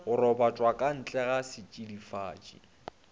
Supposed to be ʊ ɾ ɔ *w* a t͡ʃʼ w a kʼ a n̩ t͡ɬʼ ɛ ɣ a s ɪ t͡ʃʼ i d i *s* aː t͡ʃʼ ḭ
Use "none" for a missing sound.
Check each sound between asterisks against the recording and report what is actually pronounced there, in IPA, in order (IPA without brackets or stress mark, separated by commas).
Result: b, f